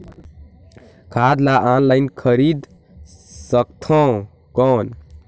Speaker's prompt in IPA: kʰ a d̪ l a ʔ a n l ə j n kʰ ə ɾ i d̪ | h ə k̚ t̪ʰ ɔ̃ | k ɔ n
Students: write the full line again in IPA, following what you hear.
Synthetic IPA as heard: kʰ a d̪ l a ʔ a n l a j n kʰ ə ɾ i d̪ | s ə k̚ t̪ʰ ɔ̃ | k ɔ n